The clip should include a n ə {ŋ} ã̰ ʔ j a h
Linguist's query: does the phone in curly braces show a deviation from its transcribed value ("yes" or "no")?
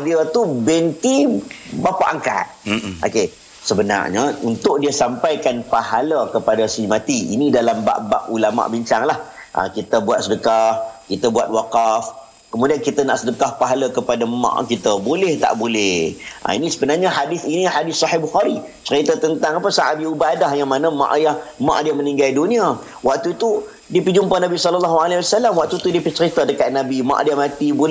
yes